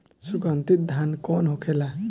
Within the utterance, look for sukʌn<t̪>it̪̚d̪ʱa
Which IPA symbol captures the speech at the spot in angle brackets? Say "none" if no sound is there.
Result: t̪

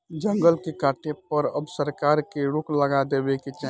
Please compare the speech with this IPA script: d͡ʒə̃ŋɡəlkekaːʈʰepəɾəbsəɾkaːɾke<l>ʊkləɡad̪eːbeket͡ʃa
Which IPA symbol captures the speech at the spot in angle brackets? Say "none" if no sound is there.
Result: ɾ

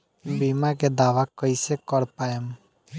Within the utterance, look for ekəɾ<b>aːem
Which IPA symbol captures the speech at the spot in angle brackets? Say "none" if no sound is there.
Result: p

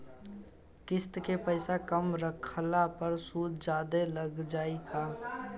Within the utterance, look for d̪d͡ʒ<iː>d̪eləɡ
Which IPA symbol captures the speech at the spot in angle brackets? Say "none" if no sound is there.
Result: aː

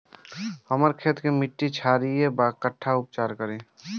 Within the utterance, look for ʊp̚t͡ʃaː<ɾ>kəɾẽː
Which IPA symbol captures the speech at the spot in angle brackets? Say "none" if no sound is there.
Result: ɾ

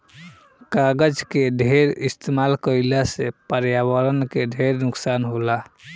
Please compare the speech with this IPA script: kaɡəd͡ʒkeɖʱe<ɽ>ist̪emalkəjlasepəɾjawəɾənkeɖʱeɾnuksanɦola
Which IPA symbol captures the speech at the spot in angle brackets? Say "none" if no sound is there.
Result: ɾ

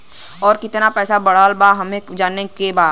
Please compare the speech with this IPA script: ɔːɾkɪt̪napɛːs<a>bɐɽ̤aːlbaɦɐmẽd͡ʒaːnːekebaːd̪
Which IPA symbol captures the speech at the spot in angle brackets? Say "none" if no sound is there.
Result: a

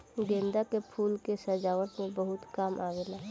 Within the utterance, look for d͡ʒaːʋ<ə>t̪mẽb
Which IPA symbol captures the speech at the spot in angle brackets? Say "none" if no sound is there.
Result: ə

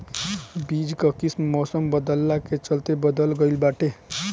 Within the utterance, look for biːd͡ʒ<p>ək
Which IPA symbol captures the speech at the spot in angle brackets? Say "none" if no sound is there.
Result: k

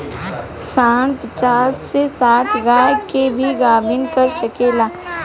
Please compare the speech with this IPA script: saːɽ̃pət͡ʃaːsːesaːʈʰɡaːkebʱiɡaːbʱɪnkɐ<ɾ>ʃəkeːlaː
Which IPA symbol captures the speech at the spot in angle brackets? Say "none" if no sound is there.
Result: ɾ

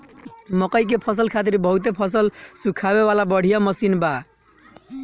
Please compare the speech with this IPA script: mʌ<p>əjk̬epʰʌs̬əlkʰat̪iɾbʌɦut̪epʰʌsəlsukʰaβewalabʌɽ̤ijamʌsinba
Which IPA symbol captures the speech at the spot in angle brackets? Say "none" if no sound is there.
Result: k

